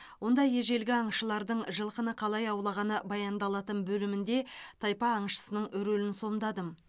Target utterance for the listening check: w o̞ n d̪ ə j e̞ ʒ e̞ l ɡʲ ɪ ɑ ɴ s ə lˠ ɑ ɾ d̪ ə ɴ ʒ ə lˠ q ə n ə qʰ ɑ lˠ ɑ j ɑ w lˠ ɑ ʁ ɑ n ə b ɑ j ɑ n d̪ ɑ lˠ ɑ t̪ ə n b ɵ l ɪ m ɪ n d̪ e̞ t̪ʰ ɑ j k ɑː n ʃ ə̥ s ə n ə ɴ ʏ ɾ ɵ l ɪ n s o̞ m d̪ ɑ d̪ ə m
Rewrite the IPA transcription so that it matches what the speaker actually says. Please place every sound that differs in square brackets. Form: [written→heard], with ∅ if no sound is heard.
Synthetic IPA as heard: w o̞ n d̪ [ə→ɑ] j e̞ ʒ e̞ l ɡʲ ɪ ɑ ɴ [s→ʃ] ə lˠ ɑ ɾ d̪ ə ɴ ʒ ə lˠ q ə n ə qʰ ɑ lˠ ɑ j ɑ w lˠ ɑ ʁ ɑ n ə b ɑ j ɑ n d̪ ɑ lˠ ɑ t̪ ə n b ɵ l ɪ m ɪ n d̪ e̞ t̪ʰ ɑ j [k→p] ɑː [n→ɴ] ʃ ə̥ s ə n ə ɴ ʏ ɾ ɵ l ɪ n s o̞ m d̪ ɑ d̪ ə m